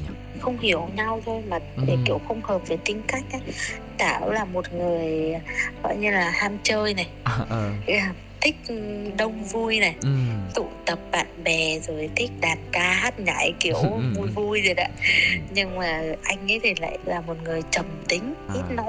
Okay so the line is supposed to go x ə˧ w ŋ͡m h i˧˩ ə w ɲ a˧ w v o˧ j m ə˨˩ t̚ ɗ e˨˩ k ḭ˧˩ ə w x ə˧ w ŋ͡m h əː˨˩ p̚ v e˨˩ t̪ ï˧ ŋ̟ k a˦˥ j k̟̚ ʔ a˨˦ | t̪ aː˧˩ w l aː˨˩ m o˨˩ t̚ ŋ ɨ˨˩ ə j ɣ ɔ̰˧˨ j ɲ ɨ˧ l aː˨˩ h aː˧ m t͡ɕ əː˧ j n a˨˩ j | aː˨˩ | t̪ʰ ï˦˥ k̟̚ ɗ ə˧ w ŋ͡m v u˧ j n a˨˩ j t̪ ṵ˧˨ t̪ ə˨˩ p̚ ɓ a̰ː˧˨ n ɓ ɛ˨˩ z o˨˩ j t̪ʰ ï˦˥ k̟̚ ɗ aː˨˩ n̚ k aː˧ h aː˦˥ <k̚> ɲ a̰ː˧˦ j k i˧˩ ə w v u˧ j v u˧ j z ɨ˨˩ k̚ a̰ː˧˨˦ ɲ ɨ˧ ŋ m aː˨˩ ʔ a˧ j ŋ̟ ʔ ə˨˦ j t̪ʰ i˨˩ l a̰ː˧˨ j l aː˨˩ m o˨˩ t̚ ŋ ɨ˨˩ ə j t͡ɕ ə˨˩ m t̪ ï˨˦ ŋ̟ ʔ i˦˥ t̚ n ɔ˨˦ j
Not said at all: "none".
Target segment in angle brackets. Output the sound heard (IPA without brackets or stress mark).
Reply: t̚